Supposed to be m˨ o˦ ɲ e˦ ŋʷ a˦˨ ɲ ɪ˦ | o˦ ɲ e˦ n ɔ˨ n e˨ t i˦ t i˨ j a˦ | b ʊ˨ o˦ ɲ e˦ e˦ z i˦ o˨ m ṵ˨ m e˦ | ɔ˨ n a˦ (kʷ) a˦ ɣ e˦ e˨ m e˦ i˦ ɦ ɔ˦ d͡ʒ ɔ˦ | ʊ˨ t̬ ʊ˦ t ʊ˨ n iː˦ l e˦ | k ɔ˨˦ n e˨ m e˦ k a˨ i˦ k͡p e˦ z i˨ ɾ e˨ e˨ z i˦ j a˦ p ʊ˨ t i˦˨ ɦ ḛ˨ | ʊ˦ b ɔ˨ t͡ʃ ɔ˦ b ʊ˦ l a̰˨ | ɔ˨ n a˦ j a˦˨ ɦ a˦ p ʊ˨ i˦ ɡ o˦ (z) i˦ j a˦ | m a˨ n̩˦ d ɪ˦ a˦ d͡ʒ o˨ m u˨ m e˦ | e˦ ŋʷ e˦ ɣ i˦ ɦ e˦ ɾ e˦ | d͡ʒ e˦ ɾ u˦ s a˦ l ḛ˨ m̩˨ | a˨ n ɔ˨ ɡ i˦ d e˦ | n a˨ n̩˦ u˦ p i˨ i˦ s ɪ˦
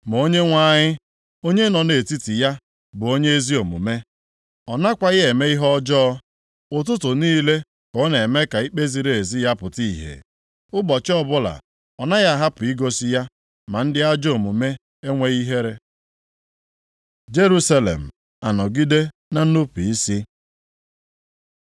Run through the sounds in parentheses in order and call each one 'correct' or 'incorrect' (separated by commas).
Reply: correct, incorrect